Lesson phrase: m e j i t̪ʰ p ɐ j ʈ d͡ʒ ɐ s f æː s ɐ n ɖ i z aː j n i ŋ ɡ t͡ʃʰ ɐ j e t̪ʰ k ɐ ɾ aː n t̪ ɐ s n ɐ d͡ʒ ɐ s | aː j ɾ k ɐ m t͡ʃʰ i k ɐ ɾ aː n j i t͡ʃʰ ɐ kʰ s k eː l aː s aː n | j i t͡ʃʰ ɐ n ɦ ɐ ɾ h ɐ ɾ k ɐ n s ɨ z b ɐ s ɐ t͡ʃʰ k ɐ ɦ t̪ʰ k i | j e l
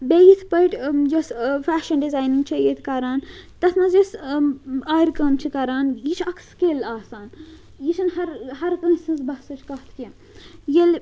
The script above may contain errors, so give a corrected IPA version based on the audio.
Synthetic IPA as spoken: b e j i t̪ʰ p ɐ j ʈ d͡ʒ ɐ s f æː ʃ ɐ n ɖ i z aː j n i ŋ ɡ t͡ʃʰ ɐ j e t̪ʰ k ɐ ɾ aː n t̪ ɐ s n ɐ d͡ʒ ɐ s | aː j ɾ k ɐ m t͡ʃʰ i k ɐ ɾ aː n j i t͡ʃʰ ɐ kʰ s k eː l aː s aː n | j i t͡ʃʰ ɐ n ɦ ɐ ɾ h ɐ ɾ k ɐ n s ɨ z b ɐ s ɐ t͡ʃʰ k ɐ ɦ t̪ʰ k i | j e l